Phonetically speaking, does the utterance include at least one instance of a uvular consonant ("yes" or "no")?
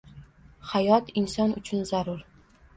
no